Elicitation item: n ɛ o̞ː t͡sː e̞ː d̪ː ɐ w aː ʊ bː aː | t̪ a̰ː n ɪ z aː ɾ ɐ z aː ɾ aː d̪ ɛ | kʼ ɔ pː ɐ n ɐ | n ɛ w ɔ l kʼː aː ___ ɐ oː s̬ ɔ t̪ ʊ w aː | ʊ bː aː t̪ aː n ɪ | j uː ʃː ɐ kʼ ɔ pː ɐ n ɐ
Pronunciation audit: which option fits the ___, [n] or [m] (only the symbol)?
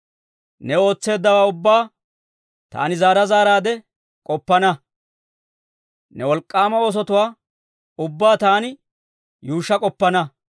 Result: m